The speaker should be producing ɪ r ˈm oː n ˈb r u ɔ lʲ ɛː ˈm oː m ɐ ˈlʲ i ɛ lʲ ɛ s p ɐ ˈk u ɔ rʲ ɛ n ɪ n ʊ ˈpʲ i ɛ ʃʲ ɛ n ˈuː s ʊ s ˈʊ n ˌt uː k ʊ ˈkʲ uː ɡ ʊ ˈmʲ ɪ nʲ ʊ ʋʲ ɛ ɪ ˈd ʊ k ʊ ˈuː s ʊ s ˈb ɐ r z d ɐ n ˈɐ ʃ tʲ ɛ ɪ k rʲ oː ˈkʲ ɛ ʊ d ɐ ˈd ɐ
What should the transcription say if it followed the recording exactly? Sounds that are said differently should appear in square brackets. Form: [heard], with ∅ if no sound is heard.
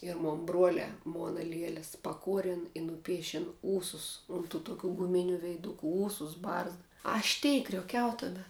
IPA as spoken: ɪ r ˈm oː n ˈb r u ɔ lʲ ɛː ˈm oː [n] ɐ ˈlʲ i ɛ lʲ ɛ s p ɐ ˈk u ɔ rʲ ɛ n ɪ n ʊ ˈpʲ i ɛ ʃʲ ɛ n ˈuː s ʊ s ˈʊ n ˌt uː [t] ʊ ˈkʲ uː ɡ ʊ ˈmʲ ɪ nʲ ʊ ʋʲ ɛ ɪ ˈd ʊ k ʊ ˈuː s ʊ s ˈb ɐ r z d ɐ [∅] ˈɐ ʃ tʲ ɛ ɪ k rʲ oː ˈkʲ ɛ ʊ [t] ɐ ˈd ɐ